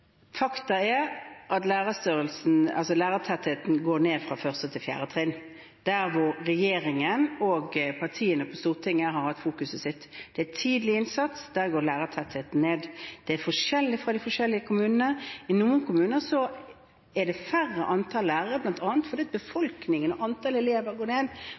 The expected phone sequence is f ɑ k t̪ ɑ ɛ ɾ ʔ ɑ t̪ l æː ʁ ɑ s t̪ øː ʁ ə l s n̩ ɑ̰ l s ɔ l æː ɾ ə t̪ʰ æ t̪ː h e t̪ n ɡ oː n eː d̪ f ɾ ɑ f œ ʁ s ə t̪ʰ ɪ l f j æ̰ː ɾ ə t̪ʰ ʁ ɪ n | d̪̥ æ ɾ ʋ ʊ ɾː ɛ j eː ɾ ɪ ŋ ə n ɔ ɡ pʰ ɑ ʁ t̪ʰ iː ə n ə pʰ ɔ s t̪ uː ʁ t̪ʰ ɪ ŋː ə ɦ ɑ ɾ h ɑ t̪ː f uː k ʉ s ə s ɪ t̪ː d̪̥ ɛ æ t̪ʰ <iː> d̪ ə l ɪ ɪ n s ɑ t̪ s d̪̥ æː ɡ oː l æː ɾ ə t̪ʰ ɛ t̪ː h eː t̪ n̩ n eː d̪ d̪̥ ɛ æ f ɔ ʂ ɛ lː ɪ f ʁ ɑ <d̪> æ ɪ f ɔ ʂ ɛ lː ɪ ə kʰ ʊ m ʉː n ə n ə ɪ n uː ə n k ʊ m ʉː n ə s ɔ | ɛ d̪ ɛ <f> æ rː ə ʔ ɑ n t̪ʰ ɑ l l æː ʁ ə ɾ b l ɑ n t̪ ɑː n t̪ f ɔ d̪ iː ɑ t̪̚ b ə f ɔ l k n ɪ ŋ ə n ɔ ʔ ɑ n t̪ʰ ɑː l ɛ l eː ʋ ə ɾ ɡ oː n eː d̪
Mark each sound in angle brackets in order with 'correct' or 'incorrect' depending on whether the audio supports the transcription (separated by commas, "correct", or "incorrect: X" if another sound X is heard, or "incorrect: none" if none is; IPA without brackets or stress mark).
correct, correct, correct